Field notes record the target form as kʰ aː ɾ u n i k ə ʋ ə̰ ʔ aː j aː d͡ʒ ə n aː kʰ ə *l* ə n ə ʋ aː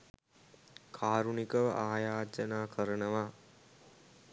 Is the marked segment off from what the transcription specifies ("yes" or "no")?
yes